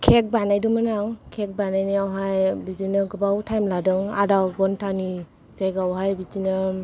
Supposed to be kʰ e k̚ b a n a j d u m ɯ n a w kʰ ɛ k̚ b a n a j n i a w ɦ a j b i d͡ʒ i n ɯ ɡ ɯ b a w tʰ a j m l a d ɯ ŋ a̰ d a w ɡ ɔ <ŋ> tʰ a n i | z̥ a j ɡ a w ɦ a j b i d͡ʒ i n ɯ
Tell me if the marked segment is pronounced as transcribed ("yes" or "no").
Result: no